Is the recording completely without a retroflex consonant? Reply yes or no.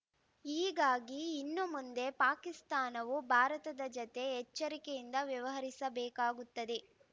yes